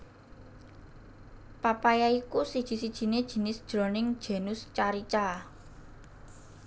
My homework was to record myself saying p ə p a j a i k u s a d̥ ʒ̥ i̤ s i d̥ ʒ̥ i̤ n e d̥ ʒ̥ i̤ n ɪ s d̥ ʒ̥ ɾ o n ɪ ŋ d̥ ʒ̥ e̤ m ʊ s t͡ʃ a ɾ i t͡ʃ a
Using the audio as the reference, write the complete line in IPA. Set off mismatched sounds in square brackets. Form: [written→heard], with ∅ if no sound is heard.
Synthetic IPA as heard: p [ə→a] p a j a i k u s [a→i] d̥ ʒ̥ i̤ s i d̥ ʒ̥ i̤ n e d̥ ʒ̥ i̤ n ɪ s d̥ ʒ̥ ɾ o n ɪ ŋ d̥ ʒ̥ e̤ [m→n] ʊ s t͡ʃ a ɾ i t͡ʃ a